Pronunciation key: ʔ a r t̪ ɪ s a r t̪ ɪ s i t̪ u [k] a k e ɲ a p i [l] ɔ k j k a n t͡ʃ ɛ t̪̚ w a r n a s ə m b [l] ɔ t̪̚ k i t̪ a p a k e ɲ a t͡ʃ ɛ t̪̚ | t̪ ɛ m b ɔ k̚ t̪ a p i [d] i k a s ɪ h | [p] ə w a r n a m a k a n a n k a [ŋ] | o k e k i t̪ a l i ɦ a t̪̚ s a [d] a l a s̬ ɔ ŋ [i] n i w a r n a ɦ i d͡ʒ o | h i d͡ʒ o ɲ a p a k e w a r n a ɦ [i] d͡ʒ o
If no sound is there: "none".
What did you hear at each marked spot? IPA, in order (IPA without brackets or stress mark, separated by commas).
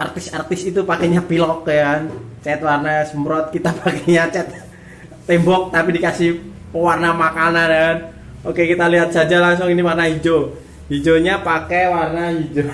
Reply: p, l, ɾ, d, p, n, d͡ʒ, i, i